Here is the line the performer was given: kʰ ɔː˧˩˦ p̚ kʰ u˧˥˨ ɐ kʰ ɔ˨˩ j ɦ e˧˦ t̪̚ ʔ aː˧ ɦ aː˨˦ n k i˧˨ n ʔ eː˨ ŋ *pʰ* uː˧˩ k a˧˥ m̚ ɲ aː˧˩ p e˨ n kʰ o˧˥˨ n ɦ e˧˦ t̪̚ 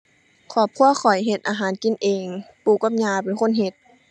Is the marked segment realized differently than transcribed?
yes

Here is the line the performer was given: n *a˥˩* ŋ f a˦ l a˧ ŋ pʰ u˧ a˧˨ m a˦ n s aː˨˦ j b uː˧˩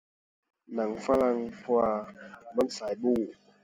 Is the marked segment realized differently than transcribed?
yes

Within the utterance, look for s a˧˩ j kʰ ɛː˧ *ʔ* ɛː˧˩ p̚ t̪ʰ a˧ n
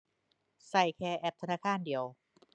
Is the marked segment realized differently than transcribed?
no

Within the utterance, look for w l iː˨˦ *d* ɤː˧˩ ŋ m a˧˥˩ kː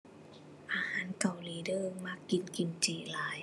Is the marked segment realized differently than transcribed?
no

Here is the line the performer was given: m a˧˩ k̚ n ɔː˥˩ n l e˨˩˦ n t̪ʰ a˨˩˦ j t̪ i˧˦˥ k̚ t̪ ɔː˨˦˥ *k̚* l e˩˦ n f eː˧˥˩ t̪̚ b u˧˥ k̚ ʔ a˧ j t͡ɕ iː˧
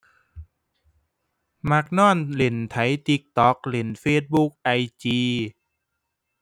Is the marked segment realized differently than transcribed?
no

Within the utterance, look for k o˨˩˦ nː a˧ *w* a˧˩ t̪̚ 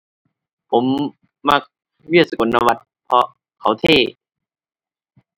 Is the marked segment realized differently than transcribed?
no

